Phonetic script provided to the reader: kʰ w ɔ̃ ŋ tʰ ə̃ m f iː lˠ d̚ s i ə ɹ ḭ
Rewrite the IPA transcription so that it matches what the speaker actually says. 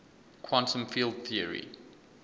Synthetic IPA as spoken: kʰ w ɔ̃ n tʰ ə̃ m f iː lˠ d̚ θ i ə ɹ ḭ